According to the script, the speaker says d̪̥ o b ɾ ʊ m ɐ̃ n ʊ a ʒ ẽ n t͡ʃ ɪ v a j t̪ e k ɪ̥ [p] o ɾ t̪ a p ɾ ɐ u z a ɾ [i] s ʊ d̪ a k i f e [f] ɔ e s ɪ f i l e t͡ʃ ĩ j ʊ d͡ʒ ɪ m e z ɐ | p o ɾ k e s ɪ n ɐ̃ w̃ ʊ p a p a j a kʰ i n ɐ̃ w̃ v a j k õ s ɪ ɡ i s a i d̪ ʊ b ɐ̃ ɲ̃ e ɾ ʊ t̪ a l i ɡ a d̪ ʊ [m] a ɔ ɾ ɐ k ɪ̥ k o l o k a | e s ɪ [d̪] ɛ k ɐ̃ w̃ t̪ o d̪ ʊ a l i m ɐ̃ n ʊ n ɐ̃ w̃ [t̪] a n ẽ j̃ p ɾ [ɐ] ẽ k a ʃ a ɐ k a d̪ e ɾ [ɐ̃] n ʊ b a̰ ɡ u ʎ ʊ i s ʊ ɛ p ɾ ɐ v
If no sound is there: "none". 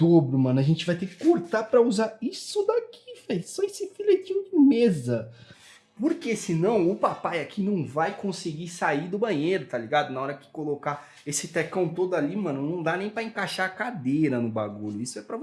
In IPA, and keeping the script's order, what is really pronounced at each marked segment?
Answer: k, i, s, n, t̪, d̪, ɐ, ɐ

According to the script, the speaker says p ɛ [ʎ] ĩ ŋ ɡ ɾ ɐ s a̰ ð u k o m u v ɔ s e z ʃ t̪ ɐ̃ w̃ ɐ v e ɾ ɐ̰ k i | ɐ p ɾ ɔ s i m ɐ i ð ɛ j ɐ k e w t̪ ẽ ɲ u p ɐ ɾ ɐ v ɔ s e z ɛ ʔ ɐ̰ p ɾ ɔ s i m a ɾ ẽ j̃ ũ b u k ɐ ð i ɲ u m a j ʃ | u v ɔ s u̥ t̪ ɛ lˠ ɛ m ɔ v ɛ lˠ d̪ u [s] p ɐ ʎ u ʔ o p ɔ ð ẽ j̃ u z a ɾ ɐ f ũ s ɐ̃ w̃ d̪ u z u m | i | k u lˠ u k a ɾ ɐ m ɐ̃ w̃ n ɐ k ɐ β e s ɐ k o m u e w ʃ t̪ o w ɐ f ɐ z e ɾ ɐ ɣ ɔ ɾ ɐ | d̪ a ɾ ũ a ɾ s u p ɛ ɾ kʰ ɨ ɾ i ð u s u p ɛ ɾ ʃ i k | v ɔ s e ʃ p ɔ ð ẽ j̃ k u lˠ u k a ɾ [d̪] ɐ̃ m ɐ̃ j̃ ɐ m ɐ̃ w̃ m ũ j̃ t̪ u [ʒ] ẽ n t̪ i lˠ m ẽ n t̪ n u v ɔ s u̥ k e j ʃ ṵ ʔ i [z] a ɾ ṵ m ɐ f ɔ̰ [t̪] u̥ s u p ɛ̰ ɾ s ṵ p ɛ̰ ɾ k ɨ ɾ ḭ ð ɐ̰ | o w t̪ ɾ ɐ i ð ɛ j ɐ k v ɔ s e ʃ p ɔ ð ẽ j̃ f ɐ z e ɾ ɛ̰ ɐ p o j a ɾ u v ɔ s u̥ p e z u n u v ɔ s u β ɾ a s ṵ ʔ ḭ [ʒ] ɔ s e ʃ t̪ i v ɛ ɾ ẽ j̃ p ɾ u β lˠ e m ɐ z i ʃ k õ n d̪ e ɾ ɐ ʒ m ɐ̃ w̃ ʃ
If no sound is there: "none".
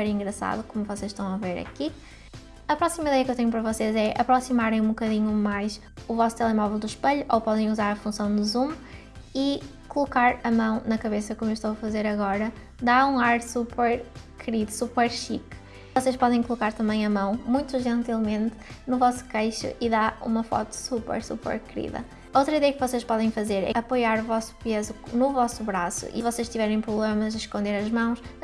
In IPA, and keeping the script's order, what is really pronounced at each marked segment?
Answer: ɾ, ʃ, t̪, ʒ, ð, t̪, v

